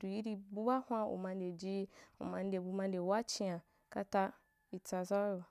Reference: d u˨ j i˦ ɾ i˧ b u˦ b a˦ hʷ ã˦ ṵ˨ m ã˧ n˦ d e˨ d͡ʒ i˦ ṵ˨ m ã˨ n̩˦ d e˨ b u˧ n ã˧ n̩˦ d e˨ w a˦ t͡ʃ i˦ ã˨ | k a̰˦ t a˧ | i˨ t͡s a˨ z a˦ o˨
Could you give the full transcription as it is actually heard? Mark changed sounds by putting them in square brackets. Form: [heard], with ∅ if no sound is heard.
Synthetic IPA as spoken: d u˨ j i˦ ɾ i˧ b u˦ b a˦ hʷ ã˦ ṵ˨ m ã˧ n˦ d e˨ d͡ʒ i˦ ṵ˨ m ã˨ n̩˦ d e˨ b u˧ [m] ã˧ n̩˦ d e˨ w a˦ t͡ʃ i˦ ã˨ | k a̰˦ t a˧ | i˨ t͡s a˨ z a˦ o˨